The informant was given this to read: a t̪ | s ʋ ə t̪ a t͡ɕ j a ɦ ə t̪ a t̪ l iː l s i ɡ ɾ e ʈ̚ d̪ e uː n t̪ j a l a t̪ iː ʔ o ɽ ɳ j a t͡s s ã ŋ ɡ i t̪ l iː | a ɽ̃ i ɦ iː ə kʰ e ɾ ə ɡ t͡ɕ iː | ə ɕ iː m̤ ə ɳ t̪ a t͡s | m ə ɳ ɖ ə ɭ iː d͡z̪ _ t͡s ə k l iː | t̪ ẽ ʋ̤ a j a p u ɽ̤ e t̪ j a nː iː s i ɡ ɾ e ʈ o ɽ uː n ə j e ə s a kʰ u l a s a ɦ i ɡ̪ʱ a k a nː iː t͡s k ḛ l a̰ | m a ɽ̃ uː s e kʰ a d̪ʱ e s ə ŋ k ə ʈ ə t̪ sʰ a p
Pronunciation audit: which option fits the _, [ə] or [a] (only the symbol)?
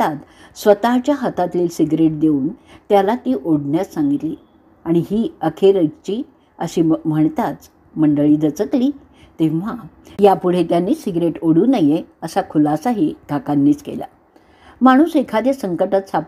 ə